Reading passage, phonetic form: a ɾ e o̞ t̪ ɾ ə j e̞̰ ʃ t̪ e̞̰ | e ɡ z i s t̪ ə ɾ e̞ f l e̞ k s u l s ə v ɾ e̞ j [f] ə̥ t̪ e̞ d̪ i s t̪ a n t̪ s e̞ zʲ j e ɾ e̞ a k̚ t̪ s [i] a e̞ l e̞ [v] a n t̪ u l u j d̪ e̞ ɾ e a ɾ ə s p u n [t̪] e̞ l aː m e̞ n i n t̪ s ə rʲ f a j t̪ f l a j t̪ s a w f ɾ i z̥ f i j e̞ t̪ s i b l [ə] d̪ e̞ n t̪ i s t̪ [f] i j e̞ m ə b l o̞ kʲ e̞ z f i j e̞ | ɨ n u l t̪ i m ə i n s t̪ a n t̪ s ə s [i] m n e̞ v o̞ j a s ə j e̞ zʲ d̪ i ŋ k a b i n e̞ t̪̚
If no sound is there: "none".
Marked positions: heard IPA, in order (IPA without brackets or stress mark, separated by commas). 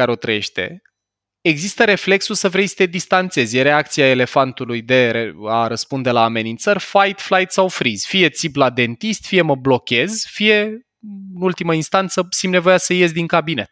s, i, f, d̪, a, f, i